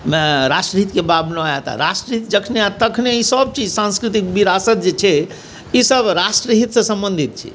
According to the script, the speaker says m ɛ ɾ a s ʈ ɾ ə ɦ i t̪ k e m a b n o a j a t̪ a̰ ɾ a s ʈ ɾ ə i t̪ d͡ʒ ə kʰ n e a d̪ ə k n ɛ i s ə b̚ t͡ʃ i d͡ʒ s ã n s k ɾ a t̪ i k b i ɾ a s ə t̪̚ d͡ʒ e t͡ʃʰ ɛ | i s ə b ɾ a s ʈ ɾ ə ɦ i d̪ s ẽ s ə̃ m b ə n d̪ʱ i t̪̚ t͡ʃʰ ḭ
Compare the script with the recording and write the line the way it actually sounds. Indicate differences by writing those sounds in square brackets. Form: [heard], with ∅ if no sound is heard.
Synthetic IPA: m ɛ ɾ a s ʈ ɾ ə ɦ i t̪ k e [b] a b n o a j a t̪ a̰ ɾ a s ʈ ɾ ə i t̪ d͡ʒ ə kʰ n e a [t̪] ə [kʰ] n [e] i s ə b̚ t͡ʃ i d͡ʒ s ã n s k ɾ [i] t̪ i k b i ɾ a s ə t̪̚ d͡ʒ e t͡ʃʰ ɛ | i s ə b ɾ a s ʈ ɾ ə ɦ i [t̪] s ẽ s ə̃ m b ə n d̪ʱ i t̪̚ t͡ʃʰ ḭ